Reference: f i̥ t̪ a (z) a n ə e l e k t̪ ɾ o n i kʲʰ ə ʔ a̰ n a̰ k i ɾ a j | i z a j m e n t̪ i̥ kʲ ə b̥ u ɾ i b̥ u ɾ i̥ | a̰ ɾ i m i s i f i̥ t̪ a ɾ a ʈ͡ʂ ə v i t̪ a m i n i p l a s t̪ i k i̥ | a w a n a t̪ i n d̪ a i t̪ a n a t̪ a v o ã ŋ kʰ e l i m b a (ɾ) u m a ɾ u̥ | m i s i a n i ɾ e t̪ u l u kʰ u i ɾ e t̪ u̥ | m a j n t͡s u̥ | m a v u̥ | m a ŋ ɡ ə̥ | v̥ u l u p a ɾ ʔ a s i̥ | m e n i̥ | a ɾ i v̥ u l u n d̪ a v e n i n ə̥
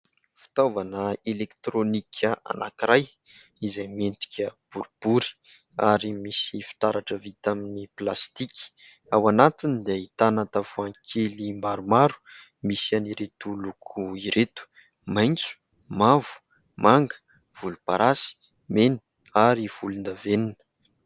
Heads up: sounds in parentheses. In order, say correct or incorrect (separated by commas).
incorrect, correct